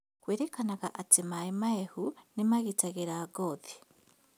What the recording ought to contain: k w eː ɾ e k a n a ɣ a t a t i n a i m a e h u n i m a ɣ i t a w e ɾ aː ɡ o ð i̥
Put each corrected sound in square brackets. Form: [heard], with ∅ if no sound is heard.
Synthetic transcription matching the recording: k w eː ɾ e k a n a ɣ a [ʔ] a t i [m] a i m a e h u n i m a ɣ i t a [ɣ] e ɾ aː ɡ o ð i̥